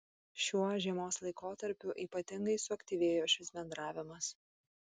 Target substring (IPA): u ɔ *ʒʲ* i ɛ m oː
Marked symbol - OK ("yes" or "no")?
yes